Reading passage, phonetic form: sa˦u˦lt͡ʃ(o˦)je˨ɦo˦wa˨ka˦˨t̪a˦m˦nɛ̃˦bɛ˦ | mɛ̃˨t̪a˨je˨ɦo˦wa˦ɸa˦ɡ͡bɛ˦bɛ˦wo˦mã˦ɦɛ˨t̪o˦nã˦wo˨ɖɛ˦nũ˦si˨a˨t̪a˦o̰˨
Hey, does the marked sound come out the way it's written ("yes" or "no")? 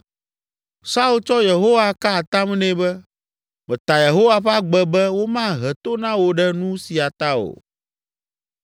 no